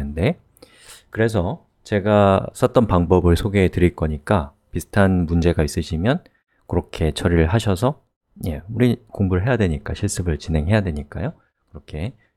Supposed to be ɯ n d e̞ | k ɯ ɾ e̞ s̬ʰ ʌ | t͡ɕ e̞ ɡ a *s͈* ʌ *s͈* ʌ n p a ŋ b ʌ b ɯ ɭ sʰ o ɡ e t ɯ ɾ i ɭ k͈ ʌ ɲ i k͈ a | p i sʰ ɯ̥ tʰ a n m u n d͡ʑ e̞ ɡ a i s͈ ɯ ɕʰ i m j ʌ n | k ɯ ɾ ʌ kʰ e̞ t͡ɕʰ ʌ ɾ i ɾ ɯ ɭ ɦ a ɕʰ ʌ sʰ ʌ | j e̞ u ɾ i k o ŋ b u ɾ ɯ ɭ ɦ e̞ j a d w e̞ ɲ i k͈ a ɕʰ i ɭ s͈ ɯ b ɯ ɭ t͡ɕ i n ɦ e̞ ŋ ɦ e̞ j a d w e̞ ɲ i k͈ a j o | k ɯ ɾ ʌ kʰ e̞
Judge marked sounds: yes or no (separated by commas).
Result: yes, no